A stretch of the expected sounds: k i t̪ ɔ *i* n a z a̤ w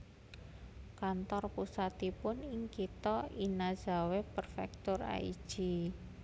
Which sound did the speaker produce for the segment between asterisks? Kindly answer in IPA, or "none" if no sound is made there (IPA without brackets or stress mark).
i